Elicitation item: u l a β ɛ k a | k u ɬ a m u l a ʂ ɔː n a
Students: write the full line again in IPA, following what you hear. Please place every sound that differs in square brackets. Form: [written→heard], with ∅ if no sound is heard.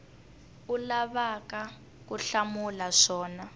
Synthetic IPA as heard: u l a β [ɛ→a] k a | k u ɬ a m u l a ʂ ɔː n a